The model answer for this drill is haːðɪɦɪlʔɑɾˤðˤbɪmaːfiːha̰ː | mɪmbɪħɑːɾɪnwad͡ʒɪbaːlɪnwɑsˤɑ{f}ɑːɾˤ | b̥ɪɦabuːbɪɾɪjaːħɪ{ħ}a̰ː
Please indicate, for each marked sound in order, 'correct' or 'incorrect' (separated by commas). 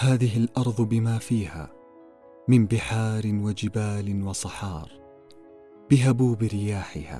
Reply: incorrect, incorrect